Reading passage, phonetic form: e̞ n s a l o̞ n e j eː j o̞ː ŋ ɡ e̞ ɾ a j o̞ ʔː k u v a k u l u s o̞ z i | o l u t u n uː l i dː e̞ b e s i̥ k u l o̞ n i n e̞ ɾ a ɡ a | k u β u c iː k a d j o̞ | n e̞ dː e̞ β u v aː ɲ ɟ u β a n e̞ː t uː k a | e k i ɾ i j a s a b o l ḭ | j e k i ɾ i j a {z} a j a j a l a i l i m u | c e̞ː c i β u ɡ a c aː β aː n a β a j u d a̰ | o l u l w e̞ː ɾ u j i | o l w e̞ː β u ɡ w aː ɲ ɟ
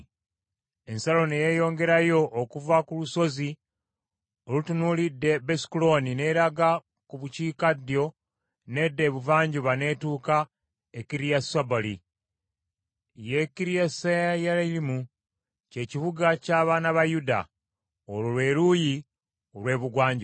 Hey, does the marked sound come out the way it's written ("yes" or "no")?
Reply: no